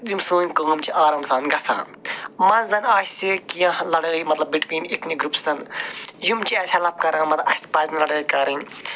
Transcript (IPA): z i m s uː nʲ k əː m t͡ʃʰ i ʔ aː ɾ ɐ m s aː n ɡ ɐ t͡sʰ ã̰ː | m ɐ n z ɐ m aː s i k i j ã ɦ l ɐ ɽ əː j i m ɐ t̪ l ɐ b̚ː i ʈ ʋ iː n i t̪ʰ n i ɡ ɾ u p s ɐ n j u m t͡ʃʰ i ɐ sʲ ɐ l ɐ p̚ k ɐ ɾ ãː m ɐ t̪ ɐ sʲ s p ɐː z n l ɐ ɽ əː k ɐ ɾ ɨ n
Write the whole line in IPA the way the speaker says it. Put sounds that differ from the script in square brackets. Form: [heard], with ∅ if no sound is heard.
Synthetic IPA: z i m s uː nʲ k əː m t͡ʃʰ i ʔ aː ɾ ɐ m s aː n ɡ ɐ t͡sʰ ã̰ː | m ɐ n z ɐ [n] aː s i k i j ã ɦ l ɐ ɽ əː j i m ɐ t̪ l ɐ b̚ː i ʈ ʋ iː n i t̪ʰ n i ɡ ɾ u p s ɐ n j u m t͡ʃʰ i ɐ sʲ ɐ l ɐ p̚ k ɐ ɾ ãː m ɐ t̪ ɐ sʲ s p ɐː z n l ɐ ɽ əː k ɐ ɾ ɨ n